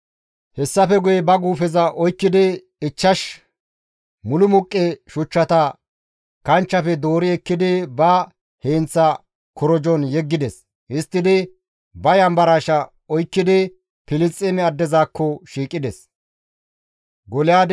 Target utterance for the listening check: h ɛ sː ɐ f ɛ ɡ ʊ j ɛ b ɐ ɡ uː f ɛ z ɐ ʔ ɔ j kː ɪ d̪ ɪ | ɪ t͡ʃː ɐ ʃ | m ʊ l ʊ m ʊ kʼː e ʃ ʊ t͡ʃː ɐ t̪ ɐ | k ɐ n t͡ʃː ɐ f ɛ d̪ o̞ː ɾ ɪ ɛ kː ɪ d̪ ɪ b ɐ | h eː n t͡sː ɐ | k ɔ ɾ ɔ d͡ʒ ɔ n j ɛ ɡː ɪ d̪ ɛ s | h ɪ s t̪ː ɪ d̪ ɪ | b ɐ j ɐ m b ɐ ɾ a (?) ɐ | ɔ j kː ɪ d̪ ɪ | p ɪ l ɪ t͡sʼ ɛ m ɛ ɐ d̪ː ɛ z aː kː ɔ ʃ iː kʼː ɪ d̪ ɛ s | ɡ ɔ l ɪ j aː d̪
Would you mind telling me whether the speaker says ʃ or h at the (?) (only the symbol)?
ʃ